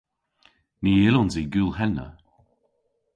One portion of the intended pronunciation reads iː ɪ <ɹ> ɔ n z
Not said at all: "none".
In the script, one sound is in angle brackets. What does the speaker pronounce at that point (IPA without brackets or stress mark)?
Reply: l